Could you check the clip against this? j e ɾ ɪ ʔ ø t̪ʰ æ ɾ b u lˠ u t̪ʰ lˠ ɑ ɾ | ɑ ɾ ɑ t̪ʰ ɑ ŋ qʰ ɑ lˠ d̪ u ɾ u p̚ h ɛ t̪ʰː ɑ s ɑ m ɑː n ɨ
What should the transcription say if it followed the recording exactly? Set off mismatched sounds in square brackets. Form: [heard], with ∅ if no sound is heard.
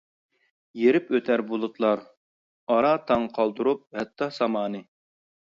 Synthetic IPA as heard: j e ɾ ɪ [p] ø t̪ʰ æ ɾ b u lˠ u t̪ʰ lˠ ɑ ɾ | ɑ ɾ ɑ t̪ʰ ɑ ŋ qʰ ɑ lˠ d̪ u ɾ u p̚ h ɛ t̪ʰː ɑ s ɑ m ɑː n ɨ